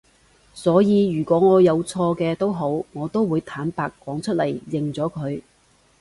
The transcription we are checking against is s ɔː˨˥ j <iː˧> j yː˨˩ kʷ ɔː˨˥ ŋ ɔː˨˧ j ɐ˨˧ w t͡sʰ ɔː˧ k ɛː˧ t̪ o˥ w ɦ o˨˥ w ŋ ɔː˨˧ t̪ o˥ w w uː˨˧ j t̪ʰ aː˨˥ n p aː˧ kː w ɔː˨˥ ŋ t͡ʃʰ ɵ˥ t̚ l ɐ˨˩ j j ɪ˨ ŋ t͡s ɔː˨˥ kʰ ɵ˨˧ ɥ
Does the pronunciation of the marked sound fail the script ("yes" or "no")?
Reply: no